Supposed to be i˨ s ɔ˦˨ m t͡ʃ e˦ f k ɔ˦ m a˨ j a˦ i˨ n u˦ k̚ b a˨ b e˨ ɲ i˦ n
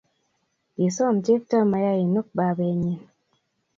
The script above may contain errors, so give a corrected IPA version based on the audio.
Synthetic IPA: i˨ s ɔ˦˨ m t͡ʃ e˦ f t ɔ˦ m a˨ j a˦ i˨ n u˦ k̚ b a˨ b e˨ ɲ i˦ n